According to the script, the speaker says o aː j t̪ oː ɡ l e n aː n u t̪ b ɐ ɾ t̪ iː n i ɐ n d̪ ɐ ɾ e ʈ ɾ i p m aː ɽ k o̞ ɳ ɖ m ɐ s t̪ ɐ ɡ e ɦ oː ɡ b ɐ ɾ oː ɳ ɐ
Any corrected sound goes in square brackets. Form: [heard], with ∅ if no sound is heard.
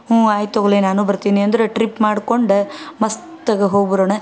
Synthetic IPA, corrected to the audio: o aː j t̪ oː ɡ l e n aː n u [∅] b ɐ ɾ t̪ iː n i ɐ n d̪ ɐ ɾ e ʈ ɾ i p m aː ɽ k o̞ ɳ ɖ m ɐ s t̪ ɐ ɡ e ɦ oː ɡ b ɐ ɾ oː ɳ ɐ